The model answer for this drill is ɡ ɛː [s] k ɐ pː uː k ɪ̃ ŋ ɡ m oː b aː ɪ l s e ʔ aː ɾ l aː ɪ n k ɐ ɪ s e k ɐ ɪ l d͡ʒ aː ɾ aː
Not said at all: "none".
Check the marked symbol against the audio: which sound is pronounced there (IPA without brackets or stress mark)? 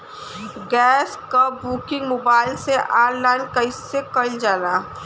s